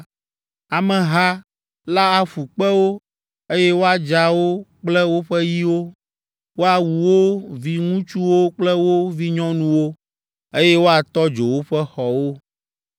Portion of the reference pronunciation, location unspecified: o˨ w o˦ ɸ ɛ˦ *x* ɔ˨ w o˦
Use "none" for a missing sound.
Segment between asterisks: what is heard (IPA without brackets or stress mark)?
x